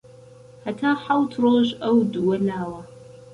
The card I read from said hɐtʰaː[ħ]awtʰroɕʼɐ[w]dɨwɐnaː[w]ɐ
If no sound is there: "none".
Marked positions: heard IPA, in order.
ħ, w, w

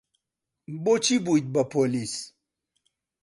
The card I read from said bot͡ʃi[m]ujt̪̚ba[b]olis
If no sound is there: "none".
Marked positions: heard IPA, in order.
b, p

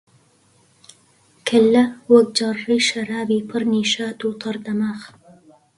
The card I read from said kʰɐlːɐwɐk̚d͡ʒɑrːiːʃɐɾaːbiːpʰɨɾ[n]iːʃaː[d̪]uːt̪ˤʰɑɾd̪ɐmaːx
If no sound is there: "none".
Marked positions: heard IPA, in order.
n, t̪

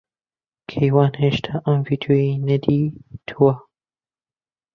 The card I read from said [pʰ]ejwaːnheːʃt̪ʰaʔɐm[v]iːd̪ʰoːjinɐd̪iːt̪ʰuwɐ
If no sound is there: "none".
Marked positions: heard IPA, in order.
kʰ, v

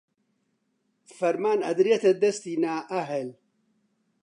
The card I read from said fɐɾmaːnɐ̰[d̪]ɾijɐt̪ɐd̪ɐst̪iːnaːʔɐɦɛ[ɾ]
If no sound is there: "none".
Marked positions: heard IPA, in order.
d̪, l

